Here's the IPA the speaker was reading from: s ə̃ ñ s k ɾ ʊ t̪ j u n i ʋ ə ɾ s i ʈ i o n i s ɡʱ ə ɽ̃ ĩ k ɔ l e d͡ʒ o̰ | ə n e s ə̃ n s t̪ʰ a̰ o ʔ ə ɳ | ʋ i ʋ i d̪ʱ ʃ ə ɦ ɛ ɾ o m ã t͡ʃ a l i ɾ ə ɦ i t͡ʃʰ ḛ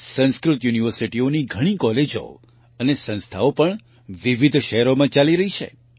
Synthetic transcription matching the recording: s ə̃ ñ s k ɾ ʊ t̪ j u n i ʋ ə ɾ s i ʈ i o n i ɡʱ ə ɽ̃ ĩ k ɔ l e d͡ʒ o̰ | ə n e s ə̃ n s t̪ʰ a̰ o p ə ɳ | ʋ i ʋ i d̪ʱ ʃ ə ɦ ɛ ɾ o m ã t͡ʃ a l i ɾ ə ɦ i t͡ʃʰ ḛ